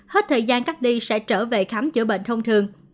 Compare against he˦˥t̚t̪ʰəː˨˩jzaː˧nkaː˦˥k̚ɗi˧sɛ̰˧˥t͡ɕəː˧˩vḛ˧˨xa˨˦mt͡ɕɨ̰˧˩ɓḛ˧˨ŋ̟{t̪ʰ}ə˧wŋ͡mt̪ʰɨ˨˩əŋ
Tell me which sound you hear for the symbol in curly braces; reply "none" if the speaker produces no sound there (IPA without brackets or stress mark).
t̪ʰ